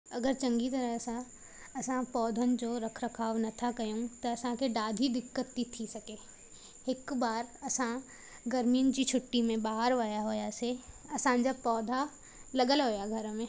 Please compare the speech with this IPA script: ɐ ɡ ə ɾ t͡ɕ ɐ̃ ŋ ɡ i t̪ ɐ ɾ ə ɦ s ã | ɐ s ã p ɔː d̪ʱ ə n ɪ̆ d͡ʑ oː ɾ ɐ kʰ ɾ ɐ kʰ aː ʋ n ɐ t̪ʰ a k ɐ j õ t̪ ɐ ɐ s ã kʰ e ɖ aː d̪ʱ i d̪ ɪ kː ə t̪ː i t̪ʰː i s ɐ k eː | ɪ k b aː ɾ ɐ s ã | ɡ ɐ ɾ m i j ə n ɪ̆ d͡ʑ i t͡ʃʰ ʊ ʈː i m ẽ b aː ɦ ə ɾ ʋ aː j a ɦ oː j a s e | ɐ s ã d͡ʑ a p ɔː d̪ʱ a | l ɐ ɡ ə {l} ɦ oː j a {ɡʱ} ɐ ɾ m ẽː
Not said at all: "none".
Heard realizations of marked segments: l, ɡʱ

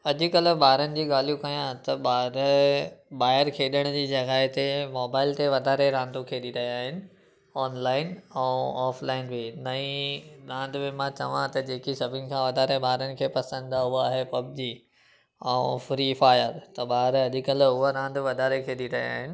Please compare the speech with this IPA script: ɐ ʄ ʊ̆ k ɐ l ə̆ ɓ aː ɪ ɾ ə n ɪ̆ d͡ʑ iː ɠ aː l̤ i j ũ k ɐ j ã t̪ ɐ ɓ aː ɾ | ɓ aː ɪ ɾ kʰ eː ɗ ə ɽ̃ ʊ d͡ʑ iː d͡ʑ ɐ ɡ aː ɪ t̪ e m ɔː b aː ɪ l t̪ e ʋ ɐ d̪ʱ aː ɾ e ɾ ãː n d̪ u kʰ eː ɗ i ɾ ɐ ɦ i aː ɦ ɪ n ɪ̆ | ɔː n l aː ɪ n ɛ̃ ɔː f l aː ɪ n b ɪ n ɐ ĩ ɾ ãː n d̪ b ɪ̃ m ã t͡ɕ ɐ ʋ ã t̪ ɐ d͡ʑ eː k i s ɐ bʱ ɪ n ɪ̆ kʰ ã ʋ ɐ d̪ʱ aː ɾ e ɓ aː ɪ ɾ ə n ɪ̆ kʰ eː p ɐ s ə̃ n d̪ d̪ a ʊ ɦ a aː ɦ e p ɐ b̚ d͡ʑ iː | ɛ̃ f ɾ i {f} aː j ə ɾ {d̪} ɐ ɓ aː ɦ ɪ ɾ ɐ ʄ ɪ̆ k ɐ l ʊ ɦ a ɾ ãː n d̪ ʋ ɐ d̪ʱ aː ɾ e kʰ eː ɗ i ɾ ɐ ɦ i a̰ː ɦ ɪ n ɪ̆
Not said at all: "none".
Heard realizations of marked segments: f, t̪

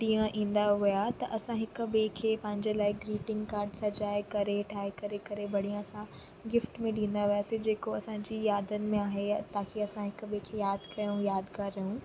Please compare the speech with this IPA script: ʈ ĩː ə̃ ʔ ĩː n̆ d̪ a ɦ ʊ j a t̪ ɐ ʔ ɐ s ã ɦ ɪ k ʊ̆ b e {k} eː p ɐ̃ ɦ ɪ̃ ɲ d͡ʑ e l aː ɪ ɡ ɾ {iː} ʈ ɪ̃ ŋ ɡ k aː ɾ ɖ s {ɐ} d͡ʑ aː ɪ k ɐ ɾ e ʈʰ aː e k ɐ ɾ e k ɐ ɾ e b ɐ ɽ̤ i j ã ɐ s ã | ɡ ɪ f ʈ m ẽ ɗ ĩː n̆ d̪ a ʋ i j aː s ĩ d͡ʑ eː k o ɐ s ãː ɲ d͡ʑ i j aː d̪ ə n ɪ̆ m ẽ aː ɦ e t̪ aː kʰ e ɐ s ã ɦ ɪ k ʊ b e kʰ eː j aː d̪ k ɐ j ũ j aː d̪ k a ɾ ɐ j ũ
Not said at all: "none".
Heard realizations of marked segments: kʰ, iː, ɐ

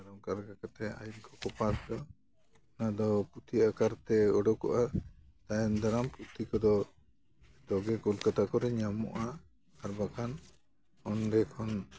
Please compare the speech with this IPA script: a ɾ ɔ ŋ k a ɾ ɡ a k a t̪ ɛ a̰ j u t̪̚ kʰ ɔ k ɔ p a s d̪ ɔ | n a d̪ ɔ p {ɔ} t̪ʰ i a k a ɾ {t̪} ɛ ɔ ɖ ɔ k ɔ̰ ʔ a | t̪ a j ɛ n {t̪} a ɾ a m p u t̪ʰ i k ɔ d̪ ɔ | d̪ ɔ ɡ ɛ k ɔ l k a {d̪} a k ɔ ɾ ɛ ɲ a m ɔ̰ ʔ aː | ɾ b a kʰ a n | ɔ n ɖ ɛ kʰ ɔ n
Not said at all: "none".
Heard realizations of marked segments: u, t̪, d̪, t̪

